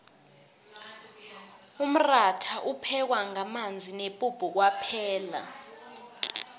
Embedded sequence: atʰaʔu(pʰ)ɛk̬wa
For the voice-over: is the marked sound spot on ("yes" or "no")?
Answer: yes